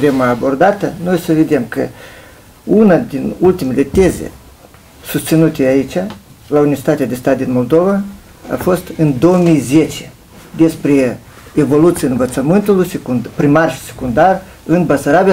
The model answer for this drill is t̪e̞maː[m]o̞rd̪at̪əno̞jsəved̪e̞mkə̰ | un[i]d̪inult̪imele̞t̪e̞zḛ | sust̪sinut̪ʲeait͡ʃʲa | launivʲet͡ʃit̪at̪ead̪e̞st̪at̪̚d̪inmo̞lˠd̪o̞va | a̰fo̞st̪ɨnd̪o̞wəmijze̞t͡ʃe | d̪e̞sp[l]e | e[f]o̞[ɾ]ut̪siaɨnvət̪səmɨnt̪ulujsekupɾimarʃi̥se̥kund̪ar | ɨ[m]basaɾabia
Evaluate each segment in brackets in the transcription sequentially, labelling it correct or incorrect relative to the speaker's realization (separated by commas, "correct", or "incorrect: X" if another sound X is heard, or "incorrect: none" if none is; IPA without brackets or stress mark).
incorrect: b, incorrect: a, incorrect: ɾ, incorrect: v, incorrect: l, incorrect: n